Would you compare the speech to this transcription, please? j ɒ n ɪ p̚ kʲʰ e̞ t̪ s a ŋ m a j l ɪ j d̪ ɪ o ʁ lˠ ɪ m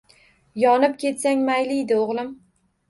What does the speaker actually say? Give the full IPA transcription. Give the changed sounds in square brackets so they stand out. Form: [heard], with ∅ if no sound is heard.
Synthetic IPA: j ɒ n ɪ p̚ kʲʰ e̞ t̪ s a ŋ m a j l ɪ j d̪ ɪ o ʁ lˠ ɪ m